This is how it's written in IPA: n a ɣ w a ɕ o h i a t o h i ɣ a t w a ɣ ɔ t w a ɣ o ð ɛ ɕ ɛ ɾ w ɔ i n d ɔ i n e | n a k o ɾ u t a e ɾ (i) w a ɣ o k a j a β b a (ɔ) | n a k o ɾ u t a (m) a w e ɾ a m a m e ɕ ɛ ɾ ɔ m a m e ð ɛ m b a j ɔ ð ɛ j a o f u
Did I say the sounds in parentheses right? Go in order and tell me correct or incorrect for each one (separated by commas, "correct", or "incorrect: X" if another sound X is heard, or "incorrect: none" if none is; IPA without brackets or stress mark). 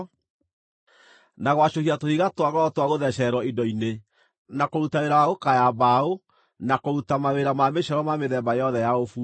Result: incorrect: a, incorrect: o, correct